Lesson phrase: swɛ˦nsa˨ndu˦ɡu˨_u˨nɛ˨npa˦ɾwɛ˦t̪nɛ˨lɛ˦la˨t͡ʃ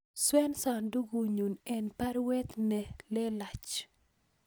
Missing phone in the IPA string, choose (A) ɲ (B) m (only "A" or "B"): A